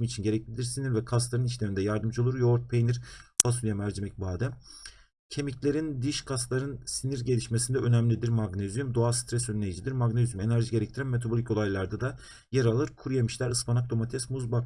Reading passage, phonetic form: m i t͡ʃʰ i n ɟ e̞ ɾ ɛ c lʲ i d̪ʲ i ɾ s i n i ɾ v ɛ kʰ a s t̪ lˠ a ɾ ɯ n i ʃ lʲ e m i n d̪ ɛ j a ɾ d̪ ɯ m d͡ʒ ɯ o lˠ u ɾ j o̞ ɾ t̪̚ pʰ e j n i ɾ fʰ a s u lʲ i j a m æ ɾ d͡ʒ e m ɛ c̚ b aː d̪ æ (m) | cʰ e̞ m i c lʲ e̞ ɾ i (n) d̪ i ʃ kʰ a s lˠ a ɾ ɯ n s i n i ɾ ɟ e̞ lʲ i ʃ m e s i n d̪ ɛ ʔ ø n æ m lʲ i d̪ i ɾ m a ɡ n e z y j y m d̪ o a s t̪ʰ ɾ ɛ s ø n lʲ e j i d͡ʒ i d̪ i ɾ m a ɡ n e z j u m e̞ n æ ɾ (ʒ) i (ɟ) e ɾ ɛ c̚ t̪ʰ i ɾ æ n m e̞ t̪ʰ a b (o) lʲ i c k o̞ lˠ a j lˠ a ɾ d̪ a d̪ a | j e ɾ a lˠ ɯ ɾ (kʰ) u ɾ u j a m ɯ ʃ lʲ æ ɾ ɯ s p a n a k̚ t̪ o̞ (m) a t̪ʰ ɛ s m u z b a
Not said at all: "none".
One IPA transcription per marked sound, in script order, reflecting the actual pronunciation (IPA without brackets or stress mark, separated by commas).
m, n, ʒ, ɟ, o, kʰ, m